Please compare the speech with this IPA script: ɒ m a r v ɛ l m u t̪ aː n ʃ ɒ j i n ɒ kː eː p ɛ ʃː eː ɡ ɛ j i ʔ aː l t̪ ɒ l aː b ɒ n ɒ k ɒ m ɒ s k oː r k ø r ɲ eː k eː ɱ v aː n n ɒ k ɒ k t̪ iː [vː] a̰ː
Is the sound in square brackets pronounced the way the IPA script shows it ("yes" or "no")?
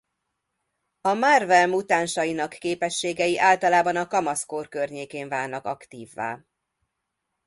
yes